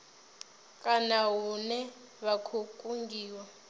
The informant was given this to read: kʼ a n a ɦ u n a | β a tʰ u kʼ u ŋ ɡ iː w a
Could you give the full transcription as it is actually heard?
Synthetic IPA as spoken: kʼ a n a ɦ u n ɛ | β a kʰ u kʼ u ŋ ɡ iː w a